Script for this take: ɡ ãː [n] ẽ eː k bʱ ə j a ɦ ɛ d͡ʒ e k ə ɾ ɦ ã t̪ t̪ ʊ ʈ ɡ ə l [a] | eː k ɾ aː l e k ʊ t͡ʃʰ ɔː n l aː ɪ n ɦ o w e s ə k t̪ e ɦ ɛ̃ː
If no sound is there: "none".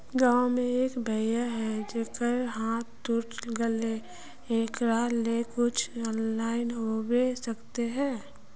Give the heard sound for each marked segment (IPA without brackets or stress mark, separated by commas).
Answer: m, e